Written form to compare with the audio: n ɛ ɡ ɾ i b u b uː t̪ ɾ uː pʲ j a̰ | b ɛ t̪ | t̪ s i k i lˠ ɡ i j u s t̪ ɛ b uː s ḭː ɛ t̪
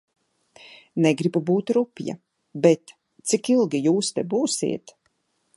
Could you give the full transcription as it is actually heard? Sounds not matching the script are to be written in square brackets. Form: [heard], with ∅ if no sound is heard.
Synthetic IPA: n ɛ ɡ ɾ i b u b uː t̪ ɾ [u] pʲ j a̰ | b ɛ t̪ | t̪ s i k i lˠ ɡ i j [uː] s t̪ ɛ b uː s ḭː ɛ t̪

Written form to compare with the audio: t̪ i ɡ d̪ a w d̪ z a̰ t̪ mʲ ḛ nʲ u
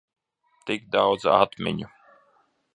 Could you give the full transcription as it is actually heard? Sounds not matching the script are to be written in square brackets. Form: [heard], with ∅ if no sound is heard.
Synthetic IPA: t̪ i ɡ d̪ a w d̪ z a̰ t̪ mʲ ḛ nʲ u

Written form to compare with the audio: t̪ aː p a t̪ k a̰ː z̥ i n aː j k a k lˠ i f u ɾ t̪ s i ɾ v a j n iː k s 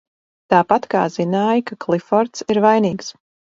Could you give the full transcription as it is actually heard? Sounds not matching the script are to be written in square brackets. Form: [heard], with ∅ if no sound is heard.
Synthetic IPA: t̪ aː p a t̪ k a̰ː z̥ i n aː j k a k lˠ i f [ɔ] ɾ t̪ s i ɾ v a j n iː k s

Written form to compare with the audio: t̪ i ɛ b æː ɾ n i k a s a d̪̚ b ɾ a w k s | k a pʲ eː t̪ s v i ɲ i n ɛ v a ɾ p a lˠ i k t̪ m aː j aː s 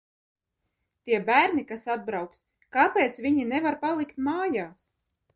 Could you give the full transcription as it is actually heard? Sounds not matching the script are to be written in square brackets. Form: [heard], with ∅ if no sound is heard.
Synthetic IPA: t̪ i ɛ b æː ɾ n i k a s a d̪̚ b ɾ a w k s | k a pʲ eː t̪ s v i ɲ i n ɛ v a ɾ p a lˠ i k t̪ m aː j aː s

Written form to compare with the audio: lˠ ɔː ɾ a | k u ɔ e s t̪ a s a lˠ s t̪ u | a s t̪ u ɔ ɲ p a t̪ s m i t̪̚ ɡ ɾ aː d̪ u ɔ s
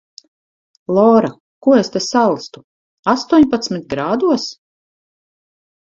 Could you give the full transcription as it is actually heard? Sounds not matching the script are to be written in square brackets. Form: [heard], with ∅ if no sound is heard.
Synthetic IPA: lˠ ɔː ɾ a | k u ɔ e s t̪ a s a lˠ s t̪ u | a s t̪ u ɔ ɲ p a t̪ s m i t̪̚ ɡ ɾ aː d̪ u ɔ s

